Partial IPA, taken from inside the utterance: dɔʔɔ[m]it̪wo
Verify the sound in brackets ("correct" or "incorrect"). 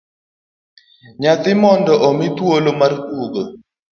correct